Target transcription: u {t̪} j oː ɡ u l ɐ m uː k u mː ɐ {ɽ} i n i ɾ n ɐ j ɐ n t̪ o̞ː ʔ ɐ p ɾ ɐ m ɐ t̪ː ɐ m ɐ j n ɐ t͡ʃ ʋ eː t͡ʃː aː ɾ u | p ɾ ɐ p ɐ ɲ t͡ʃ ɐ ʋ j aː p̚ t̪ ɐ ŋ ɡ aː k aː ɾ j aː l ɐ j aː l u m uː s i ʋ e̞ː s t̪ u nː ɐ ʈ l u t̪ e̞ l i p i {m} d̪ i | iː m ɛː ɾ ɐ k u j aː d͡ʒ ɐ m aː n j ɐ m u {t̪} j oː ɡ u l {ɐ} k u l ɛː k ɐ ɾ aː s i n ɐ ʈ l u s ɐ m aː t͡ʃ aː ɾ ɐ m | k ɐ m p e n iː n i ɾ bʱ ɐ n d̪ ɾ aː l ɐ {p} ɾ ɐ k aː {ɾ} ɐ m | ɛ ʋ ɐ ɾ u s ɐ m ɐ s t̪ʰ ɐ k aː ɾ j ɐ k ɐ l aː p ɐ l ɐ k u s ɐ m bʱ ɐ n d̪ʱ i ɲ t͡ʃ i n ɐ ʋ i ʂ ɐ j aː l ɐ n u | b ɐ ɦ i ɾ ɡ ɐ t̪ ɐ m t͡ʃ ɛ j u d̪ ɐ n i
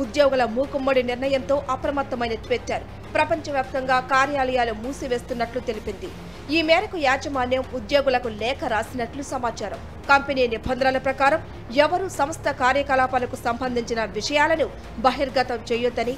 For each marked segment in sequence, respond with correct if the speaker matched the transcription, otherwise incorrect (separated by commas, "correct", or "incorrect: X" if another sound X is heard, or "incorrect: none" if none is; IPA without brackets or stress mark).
incorrect: d̪, correct, incorrect: n, incorrect: d̪, correct, correct, correct